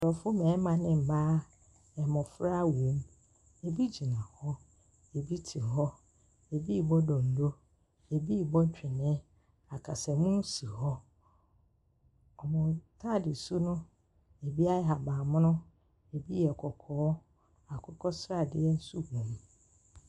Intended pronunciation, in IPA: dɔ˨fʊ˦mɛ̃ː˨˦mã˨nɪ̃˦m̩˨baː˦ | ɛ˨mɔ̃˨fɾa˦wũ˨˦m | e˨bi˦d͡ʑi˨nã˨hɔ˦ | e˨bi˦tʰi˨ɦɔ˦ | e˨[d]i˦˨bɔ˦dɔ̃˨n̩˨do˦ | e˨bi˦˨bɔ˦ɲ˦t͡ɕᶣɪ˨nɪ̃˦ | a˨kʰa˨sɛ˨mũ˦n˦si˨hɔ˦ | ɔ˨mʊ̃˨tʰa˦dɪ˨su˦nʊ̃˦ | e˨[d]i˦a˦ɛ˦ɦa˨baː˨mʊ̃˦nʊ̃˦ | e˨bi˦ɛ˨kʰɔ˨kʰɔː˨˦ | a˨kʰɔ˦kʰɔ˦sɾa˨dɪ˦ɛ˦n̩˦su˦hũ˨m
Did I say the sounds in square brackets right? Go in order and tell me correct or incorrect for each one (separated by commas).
incorrect, incorrect